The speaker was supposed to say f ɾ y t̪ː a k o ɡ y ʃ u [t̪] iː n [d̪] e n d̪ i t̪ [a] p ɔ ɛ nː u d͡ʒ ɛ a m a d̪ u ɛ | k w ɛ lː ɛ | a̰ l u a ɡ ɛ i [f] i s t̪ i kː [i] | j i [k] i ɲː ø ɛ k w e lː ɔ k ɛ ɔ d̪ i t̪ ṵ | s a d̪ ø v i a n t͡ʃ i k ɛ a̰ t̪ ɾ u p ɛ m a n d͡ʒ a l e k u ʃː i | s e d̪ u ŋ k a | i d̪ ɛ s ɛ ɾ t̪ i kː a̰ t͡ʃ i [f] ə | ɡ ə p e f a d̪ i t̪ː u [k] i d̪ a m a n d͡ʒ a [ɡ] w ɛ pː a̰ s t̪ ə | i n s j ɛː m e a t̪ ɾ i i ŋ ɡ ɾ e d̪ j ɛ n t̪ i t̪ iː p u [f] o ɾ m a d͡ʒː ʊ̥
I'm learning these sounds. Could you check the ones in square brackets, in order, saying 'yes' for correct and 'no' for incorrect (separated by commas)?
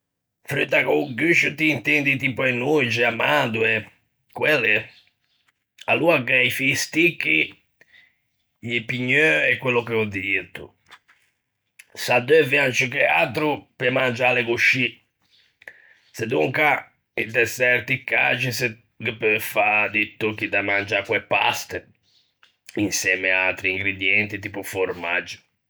yes, no, no, yes, yes, no, no, yes, no, yes